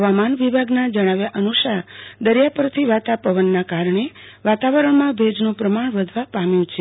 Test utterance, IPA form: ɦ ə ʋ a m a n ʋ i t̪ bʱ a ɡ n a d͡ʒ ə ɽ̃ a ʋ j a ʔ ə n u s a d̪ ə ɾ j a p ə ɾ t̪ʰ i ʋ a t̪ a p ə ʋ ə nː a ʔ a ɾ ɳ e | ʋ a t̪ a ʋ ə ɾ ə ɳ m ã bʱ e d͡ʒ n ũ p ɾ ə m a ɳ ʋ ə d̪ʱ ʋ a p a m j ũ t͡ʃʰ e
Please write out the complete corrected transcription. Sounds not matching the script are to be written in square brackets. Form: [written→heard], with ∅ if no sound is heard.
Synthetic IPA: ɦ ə ʋ a m a n ʋ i [t̪→∅] bʱ a ɡ n a d͡ʒ ə ɽ̃ a ʋ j a ʔ ə n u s a d̪ ə ɾ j a p ə ɾ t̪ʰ i ʋ a t̪ a p ə ʋ ə nː a [ʔ→k] a ɾ ɳ e | ʋ a t̪ a ʋ ə ɾ ə ɳ m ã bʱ e d͡ʒ n ũ p ɾ ə m a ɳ ʋ ə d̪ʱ ʋ a p a m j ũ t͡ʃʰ e